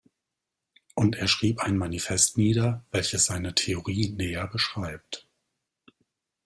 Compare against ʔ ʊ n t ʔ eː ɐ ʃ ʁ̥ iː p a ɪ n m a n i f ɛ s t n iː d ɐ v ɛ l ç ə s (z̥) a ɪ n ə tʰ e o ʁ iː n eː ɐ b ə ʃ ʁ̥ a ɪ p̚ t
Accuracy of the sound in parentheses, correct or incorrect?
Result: correct